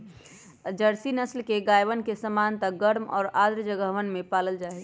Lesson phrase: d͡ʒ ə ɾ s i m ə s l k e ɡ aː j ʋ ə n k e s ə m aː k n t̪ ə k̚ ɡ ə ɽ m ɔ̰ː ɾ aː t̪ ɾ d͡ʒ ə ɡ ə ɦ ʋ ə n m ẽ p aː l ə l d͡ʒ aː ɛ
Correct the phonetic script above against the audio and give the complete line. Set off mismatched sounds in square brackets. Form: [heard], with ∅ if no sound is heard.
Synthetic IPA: d͡ʒ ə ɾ s i [n] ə s l k e ɡ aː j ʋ ə n k e s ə m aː [∅] n t̪ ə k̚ ɡ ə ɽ m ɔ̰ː ɾ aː [d̪] ɾ d͡ʒ ə ɡ ə ɦ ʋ ə n m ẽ p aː l ə l d͡ʒ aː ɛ